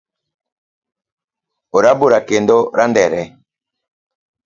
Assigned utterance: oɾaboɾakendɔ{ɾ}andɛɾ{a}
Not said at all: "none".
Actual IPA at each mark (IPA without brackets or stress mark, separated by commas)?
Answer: ɾ, ɛ